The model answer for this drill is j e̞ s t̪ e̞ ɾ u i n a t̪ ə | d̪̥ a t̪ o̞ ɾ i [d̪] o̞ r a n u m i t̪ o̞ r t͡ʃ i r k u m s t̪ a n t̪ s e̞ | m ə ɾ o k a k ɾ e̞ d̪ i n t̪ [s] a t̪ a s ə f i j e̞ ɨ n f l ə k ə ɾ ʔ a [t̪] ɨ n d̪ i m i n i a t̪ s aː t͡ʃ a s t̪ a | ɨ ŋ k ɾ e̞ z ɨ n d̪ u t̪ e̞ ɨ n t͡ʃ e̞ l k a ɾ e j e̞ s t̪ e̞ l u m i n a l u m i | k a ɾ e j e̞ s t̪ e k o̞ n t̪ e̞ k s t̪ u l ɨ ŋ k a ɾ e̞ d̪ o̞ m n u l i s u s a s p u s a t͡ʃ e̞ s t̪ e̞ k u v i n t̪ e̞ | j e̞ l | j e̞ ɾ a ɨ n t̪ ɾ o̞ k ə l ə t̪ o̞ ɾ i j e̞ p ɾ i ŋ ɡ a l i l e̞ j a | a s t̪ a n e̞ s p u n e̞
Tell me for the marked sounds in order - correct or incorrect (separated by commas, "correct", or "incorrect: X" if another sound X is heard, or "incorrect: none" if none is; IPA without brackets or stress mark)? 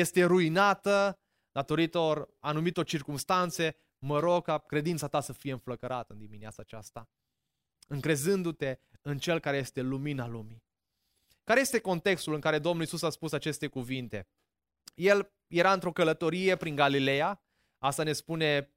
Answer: incorrect: t̪, correct, correct